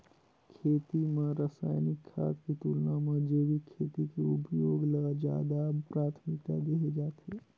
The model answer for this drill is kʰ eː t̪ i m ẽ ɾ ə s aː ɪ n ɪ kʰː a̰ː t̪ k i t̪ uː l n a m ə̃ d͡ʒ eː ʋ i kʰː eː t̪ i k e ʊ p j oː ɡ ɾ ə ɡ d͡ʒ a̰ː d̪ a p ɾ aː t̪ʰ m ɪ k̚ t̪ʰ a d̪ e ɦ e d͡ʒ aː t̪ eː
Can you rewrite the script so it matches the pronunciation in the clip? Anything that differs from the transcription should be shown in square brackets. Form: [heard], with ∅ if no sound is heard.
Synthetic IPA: kʰ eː t̪ i m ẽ ɾ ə s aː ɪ n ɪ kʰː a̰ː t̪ k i t̪ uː l n a m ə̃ d͡ʒ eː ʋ i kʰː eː t̪ i k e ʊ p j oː ɡ [l] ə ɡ d͡ʒ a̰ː d̪ a p ɾ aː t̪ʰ m ɪ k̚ [t̪] a d̪ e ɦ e d͡ʒ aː t̪ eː

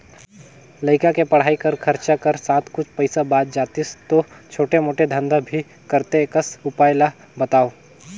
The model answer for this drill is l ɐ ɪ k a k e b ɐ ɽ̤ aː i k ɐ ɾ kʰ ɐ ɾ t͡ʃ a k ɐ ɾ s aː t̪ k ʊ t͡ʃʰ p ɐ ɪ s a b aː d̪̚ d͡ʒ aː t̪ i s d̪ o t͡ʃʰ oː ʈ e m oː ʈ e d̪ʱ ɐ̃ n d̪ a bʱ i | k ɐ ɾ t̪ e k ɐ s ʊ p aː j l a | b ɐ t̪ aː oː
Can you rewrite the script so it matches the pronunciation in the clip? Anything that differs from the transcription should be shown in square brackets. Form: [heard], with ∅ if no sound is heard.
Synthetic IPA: l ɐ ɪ k a k e [p] ɐ ɽ̤ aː i k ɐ ɾ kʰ ɐ ɾ t͡ʃ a k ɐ ɾ s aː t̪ k ʊ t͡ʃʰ p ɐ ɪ s a b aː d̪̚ d͡ʒ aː t̪ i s [t̪] o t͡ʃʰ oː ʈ e m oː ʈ e d̪ʱ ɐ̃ n d̪ a bʱ i | k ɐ ɾ t̪ e k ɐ s ʊ p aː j l a | b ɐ t̪ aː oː

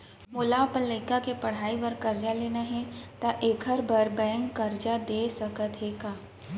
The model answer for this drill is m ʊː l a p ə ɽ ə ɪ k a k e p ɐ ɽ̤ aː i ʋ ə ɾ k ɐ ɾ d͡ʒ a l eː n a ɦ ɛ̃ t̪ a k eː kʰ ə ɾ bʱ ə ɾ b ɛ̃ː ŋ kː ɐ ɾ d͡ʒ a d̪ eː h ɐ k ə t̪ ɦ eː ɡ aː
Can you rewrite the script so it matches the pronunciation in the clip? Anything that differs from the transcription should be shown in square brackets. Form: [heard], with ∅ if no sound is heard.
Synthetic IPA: m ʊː l a p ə [l] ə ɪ k a k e p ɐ ɽ̤ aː i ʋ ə ɾ k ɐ ɾ d͡ʒ a l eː n a ɦ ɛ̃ t̪ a [ʔ] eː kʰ ə ɾ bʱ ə ɾ b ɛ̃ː ŋ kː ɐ ɾ d͡ʒ a d̪ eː [s] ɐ k ə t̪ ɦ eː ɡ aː

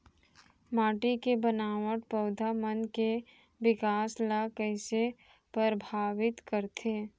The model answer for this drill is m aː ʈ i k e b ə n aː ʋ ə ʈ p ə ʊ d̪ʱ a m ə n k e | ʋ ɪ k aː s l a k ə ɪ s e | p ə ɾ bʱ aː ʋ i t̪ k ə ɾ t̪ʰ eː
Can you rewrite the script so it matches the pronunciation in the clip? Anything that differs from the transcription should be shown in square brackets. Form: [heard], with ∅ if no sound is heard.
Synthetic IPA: m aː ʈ i k e b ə n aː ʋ ə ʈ p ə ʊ d̪ʱ a m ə n k e | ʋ ɪ k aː s l a k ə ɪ s e | p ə ɾ bʱ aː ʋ [ɪ] t̪ k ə ɾ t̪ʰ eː

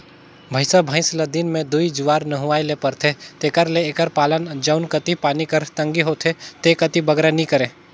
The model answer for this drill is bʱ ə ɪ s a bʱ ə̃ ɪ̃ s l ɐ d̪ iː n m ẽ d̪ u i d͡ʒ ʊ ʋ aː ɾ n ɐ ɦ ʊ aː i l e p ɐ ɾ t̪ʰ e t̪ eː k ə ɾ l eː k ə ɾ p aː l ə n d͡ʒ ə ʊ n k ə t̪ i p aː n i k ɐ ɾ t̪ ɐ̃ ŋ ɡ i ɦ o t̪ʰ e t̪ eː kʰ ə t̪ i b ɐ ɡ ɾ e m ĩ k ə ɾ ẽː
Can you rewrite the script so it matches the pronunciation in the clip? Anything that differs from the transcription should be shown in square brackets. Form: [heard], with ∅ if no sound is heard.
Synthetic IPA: bʱ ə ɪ s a bʱ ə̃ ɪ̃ s l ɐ d̪ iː n m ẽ d̪ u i d͡ʒ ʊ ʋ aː ɾ n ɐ ɦ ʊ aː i l e p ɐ ɾ t̪ʰ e t̪ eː k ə ɾ l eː k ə ɾ p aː l ə n d͡ʒ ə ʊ n k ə t̪ i p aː n i k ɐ ɾ t̪ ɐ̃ ŋ ɡ i ɦ o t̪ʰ e t̪ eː [k] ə t̪ i b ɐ ɡ ɾ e [n] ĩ k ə ɾ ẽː

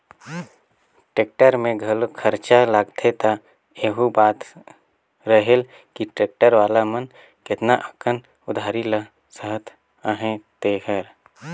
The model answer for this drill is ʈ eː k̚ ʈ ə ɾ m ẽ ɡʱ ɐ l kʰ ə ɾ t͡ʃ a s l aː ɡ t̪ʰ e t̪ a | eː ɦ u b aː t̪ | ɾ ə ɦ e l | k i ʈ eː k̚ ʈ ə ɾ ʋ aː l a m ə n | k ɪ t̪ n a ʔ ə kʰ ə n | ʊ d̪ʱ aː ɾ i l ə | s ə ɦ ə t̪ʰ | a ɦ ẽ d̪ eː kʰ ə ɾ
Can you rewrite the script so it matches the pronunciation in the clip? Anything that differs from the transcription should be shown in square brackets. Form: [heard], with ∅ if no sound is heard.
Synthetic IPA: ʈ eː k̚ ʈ ə ɾ m ẽ ɡʱ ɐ l kʰ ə ɾ t͡ʃ a [∅] l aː ɡ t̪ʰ e t̪ a | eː ɦ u b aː t̪ | ɾ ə ɦ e l | k i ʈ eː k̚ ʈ ə ɾ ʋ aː l a m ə n | k ɪ t̪ n a ʔ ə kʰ ə n | ʊ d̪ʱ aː ɾ i l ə | s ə ɦ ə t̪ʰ | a ɦ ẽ [t̪] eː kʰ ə ɾ

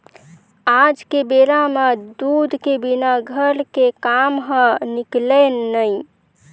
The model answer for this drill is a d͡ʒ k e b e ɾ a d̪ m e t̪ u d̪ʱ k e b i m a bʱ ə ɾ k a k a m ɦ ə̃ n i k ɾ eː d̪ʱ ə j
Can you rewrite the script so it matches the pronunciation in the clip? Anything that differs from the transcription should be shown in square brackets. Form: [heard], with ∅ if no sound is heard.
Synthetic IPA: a d͡ʒ k e b e ɾ a [∅] m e [d̪] u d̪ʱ k e b i [n] a [ɡʱ] ə ɾ k [e] k a m ɦ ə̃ n i k [l] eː [∅] ə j

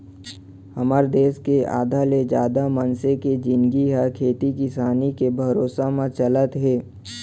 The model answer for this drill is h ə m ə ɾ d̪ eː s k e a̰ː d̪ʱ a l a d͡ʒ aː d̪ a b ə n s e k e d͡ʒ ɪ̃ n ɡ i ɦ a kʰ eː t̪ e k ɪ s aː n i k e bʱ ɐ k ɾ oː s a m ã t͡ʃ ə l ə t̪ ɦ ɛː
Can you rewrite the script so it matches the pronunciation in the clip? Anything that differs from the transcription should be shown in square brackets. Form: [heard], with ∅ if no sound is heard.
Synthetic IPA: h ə m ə ɾ d̪ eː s k e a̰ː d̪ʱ a l [e] d͡ʒ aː d̪ a [m] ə n s e k e d͡ʒ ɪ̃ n ɡ i ɦ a kʰ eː t̪ [i] k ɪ s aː n i k e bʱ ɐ [∅] ɾ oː s a m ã t͡ʃ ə l ə t̪ ɦ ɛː

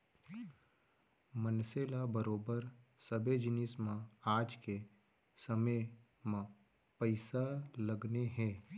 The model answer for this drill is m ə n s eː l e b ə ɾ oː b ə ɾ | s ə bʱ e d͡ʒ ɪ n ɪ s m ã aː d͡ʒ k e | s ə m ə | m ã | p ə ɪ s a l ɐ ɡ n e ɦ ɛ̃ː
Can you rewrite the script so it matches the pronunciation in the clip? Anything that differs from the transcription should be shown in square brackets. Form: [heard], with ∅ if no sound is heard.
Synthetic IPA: m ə n s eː l [a] b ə ɾ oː b ə ɾ | s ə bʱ e d͡ʒ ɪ n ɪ s m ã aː d͡ʒ k e | s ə m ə | m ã | p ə ɪ s a l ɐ ɡ n e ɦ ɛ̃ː

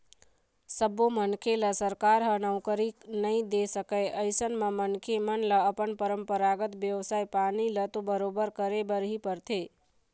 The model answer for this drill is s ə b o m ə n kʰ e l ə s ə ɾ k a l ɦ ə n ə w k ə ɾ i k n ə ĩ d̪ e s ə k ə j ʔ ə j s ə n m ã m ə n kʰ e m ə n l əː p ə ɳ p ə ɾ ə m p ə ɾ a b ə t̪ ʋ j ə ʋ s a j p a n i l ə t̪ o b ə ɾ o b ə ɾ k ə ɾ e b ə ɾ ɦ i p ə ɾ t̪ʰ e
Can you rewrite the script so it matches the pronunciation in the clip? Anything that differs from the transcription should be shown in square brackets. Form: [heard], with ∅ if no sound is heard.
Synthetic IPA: s ə b o m ə n kʰ e l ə s ə ɾ k a [ɾ] ɦ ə n ə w k ə ɾ i k n ə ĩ d̪ e s ə k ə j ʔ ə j s ə n m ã m ə n kʰ e m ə n l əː p ə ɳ p ə ɾ ə m p ə ɾ a [ɡ] ə t̪ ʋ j ə ʋ s a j p a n i l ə t̪ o b ə ɾ o b ə ɾ k ə ɾ e b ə ɾ ɦ i p ə ɾ t̪ʰ e

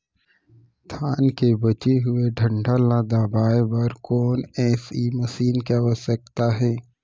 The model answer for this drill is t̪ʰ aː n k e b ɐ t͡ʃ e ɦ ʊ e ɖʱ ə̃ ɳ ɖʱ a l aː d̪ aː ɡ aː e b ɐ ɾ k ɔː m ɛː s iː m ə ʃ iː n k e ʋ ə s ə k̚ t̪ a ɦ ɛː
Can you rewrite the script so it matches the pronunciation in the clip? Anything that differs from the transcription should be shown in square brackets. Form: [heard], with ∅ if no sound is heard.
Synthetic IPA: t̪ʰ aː n k e b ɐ t͡ʃ e ɦ ʊ e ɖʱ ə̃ ɳ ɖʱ a l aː d̪ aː [b] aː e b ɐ ɾ k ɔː [n] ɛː s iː m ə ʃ iː n k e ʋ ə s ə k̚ t̪ a ɦ ɛː

